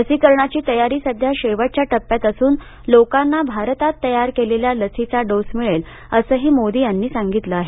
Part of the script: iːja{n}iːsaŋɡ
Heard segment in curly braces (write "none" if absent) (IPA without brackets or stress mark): nː